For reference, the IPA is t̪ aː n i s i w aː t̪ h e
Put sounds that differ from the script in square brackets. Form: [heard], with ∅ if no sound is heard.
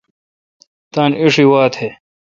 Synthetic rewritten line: t̪ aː n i [ʂ] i w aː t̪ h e